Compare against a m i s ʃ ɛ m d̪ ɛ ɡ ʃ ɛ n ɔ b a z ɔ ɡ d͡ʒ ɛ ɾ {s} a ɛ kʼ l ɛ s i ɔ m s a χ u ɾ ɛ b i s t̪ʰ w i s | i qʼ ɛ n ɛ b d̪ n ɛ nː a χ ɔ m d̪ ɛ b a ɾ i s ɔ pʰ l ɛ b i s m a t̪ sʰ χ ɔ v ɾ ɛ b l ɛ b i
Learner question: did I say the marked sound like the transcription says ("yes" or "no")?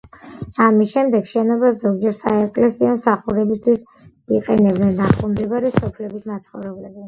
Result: yes